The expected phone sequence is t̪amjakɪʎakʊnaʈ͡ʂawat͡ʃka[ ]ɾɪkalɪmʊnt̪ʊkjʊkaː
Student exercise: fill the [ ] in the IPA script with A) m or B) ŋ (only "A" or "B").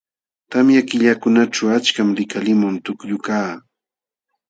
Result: A